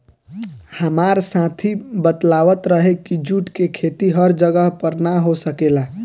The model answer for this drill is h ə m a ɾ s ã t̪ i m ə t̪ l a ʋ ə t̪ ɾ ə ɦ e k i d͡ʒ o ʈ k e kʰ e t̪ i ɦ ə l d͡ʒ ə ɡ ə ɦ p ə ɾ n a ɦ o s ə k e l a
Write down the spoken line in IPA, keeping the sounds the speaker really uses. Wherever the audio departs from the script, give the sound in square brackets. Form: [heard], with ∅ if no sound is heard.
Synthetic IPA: h ə m a ɾ s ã [t̪ʰ] i [b] ə t̪ l a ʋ ə t̪ ɾ ə ɦ e k i d͡ʒ [u] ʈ k e kʰ e t̪ i ɦ ə [ɾ] d͡ʒ ə ɡ ə ɦ p ə ɾ n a ɦ o s ə k e l a